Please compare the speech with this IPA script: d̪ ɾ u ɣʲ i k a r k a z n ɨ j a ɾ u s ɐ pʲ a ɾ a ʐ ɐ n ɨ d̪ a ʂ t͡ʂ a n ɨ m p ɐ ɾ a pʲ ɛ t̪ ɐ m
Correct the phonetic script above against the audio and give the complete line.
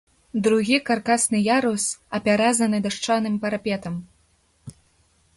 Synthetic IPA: d̪ ɾ u ɣʲ i k a r k a s n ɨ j a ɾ u s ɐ pʲ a ɾ a z ɐ n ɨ d̪ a ʂ t͡ʂ a n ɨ m p ɐ ɾ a pʲ ɛ t̪ ɐ m